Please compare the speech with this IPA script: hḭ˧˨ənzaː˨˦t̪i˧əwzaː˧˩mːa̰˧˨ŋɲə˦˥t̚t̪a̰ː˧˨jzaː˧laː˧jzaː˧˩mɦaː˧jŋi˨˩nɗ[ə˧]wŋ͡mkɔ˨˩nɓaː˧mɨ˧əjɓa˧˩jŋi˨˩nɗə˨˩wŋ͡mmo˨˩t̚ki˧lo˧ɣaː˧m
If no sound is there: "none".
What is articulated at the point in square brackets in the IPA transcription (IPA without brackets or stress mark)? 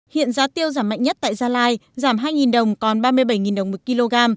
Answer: ə˨˩